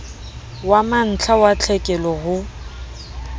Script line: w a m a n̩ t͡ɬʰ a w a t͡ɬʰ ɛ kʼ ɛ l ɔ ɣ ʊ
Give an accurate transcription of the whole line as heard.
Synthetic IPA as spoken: w a m a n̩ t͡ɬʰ a w a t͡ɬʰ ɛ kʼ ɛ l ɔ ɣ ʊ